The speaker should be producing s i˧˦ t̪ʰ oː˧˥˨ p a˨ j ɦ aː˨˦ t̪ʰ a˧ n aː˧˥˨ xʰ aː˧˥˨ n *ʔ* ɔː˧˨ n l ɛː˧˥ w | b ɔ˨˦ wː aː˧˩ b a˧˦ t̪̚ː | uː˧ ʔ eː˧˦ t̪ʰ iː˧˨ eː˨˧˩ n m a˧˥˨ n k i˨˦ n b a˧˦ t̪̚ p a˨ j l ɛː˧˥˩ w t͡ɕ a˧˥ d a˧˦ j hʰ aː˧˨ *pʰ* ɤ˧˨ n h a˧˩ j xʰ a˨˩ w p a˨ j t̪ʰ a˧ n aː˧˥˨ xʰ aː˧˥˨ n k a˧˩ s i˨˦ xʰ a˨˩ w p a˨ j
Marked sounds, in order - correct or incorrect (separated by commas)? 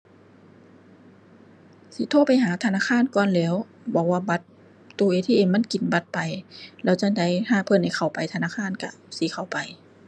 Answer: incorrect, correct